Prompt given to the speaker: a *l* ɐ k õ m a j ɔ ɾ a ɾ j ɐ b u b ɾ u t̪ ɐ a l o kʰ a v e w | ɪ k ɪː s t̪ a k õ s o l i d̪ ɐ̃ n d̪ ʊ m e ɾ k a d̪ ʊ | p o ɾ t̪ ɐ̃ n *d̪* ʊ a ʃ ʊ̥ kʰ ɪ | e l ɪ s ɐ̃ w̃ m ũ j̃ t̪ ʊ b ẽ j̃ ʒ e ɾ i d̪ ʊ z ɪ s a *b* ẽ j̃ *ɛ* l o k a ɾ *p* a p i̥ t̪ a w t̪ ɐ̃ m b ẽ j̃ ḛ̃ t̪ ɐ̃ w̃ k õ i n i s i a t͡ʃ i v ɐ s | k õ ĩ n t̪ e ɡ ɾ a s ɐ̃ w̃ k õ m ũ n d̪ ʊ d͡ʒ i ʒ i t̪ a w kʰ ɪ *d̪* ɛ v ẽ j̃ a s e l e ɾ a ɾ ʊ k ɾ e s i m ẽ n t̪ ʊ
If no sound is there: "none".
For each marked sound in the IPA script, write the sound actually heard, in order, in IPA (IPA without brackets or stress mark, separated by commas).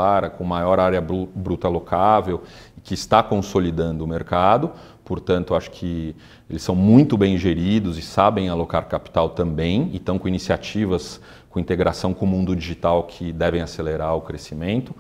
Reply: ɾ, t̪, b, a, k, d̪